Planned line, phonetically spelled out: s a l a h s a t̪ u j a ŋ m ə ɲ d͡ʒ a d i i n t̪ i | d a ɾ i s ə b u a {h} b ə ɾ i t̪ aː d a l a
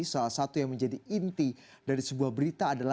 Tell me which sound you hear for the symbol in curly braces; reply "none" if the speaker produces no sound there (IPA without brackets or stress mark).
h